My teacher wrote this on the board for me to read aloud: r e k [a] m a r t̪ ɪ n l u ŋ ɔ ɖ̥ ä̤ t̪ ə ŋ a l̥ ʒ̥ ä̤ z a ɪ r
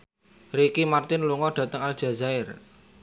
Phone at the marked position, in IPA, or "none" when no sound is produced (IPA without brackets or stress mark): i